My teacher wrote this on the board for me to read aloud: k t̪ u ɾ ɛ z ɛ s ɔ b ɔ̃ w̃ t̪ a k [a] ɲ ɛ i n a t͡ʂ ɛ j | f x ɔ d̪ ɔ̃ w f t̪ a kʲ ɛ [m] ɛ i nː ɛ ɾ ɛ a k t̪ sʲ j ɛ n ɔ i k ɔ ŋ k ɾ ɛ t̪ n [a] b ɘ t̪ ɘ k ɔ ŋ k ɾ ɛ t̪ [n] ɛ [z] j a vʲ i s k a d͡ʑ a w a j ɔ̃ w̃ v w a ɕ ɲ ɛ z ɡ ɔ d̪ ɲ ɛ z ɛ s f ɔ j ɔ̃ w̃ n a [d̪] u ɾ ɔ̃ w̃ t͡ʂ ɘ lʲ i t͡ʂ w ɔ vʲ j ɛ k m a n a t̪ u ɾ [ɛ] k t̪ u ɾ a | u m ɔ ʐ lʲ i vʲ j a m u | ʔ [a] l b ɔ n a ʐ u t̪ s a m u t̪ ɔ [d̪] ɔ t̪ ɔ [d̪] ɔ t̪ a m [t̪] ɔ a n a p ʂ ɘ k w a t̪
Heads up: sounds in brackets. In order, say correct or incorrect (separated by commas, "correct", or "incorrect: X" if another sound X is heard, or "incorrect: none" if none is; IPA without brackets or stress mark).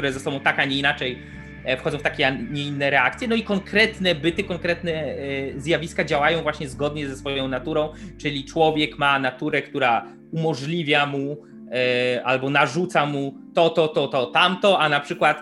correct, incorrect: ɲ, incorrect: ɛ, correct, correct, incorrect: t̪, correct, correct, incorrect: t̪, incorrect: t̪, correct